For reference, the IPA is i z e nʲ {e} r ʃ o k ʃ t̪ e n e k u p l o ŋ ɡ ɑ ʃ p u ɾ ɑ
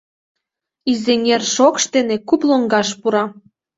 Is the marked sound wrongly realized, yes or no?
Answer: no